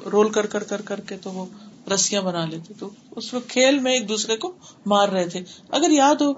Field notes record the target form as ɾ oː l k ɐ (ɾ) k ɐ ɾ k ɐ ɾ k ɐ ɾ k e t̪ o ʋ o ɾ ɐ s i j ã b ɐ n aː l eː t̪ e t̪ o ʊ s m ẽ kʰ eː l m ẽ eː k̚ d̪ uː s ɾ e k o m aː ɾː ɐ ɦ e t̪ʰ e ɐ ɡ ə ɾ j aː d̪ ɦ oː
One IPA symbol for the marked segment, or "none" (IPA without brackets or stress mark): ɾ